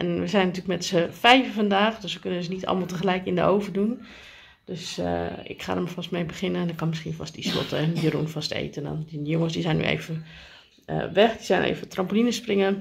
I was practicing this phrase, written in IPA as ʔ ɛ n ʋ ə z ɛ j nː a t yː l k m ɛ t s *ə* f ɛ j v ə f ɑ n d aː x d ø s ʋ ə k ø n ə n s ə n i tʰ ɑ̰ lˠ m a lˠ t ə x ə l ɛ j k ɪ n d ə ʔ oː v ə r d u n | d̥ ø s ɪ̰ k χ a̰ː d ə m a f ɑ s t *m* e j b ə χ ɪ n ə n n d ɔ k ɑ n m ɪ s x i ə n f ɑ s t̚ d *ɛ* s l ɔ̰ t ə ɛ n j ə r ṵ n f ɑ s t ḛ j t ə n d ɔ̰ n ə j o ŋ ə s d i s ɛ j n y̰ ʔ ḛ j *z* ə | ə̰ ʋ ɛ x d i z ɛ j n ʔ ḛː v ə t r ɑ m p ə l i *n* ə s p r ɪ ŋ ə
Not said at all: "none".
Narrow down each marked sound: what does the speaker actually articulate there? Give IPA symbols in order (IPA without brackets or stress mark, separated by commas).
ə, m, i, v, n